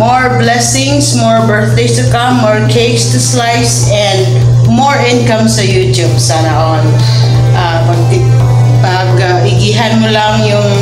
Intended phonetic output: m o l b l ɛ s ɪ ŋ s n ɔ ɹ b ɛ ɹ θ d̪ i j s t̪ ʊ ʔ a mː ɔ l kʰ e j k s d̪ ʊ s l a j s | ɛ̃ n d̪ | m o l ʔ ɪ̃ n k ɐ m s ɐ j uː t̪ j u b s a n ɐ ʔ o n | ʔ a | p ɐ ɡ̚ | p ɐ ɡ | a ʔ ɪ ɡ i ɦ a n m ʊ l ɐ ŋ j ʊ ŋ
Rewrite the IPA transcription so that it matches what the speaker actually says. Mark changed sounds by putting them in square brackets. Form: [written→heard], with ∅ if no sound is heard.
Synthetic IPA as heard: m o [l→ɹ] b l ɛ s ɪ ŋ s [n→m] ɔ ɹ b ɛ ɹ θ d̪ [i→e] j s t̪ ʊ [ʔ→k] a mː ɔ [l→ɹ] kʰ e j k s [d̪→t̪] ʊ s l a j s | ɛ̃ n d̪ | m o [l→ɹ] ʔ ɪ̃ n k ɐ m s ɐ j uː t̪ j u b s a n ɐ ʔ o n | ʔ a | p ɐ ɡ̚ | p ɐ ɡ | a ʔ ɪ ɡ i ɦ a n m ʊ l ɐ ŋ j ʊ ŋ